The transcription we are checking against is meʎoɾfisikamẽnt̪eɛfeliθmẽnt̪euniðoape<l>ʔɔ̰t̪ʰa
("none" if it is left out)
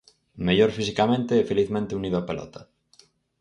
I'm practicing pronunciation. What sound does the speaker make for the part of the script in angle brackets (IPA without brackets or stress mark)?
l